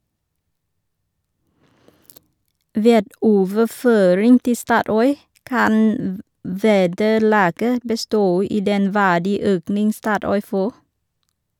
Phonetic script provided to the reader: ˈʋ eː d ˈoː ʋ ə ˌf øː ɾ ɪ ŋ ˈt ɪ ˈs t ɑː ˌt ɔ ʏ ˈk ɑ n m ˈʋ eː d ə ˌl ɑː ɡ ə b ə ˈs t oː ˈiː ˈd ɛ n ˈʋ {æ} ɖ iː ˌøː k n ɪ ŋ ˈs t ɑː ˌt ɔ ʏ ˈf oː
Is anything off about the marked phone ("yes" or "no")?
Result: yes